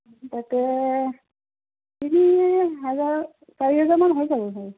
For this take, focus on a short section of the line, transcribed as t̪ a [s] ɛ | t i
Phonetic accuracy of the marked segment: incorrect: t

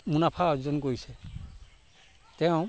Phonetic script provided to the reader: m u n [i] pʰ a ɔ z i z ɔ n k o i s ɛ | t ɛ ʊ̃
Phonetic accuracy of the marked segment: incorrect: a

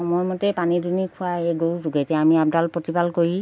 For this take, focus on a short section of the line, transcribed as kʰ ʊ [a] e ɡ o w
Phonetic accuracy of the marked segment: correct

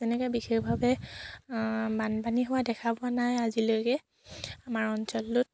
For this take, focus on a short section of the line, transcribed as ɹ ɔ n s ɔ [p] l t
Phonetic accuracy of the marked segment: incorrect: none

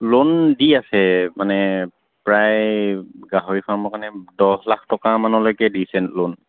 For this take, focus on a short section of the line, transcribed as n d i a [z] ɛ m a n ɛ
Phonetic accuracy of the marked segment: incorrect: s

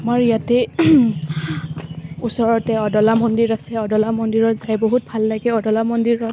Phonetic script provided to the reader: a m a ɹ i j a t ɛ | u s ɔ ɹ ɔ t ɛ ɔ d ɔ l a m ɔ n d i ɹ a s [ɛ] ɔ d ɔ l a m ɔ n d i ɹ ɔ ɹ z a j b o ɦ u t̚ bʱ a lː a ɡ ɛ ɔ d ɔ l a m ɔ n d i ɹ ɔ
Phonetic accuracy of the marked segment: correct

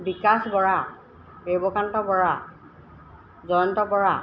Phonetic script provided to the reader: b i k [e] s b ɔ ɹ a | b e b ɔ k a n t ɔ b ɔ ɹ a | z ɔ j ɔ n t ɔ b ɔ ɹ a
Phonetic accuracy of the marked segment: incorrect: a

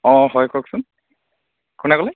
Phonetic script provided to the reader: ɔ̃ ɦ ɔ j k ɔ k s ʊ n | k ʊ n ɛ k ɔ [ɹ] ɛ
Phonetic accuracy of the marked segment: incorrect: l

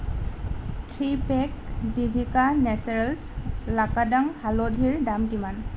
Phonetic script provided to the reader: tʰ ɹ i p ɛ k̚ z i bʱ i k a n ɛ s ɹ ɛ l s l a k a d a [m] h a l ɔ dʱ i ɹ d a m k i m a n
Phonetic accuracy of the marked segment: incorrect: ŋ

